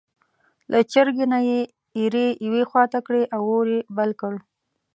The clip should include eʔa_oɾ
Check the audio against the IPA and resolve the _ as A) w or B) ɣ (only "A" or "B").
A